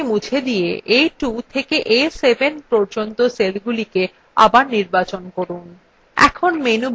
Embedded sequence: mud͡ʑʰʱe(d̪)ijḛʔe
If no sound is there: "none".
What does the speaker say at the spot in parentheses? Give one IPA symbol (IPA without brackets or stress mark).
d̪